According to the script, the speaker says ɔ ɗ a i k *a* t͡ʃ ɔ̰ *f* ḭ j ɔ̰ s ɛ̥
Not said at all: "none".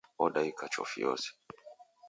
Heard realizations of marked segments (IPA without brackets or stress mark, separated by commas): a, f